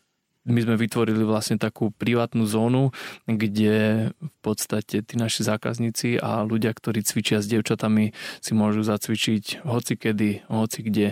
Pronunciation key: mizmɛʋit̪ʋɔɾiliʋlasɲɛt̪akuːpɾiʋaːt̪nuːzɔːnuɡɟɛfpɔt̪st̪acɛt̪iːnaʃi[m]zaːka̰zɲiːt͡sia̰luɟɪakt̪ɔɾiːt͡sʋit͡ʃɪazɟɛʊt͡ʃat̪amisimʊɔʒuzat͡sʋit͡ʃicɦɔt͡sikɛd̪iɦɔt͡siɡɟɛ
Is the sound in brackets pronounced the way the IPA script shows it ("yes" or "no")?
no